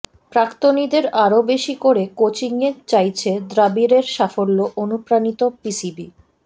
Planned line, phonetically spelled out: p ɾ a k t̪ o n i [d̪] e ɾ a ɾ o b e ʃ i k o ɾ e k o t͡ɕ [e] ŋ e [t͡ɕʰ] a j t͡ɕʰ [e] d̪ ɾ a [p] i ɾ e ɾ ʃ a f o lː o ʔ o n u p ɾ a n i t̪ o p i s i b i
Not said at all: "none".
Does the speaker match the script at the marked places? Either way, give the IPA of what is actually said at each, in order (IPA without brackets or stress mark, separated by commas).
d̪, i, t͡ɕ, e, b